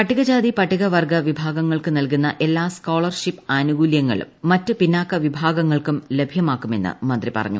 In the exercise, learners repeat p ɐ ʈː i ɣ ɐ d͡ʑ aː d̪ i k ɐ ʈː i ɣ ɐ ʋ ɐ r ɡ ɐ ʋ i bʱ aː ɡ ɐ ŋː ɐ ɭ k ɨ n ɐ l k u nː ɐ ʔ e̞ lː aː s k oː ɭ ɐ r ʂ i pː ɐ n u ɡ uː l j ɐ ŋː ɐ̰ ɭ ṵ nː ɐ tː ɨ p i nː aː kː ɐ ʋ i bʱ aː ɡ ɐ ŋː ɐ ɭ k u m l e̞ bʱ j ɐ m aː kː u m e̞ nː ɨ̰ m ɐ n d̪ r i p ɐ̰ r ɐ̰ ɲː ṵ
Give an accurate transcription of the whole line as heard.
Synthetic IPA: p ɐ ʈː i ɣ ɐ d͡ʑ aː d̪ i p ɐ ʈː i ɣ ɐ ʋ ɐ r ɡ ɐ ʋ i bʱ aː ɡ ɐ ŋː ɐ ɭ k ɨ n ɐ l k u nː ɐ ʔ e̞ lː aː s k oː ɭ ɐ r ʂ i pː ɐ n u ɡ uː l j ɐ ŋː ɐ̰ ɭ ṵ mː ɐ tː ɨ p i nː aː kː ɐ ʋ i bʱ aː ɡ ɐ ŋː ɐ ɭ k u m l e̞ bʱ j ɐ m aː kː u m e̞ nː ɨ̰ m ɐ n d̪ r i p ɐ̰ r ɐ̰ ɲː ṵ